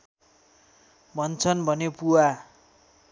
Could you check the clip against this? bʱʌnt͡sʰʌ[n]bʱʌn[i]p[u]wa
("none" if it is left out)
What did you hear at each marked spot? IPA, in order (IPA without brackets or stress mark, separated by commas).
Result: n, e, u